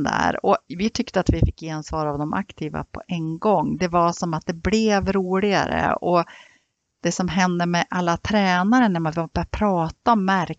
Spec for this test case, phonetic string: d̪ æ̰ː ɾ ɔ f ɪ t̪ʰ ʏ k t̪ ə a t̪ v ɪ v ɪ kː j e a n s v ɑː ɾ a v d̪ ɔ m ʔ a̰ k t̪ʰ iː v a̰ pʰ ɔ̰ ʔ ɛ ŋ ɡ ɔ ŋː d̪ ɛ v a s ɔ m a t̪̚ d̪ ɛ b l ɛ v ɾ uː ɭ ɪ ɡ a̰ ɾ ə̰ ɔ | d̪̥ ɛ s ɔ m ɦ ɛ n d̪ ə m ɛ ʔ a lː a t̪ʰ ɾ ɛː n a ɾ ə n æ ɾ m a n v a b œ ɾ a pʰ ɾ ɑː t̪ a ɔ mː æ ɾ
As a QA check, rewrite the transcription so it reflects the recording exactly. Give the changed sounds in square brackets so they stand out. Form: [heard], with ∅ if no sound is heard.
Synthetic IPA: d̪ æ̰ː ɾ ɔ [v] ɪ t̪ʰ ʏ k t̪ ə a t̪ v ɪ [f] ɪ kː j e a n s v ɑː ɾ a v d̪ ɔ m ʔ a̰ k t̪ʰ iː v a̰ pʰ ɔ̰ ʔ ɛ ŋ ɡ ɔ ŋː d̪ ɛ v a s ɔ m a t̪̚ d̪ ɛ b l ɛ v ɾ uː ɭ ɪ ɡ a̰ ɾ ə̰ ɔ | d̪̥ ɛ s ɔ m ɦ ɛ n d̪ ə m ɛ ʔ a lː a t̪ʰ ɾ ɛː n a ɾ ə n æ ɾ m a n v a b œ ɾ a pʰ ɾ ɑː t̪ a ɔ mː æ ɾ